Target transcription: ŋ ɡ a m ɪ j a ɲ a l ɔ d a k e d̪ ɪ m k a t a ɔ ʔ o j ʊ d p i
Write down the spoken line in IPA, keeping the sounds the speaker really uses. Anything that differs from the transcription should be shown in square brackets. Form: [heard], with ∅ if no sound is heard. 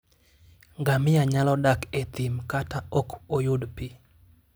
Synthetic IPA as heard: ŋ ɡ a m ɪ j a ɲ a l ɔ d a k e [t̪] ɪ m k a t a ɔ [k] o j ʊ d p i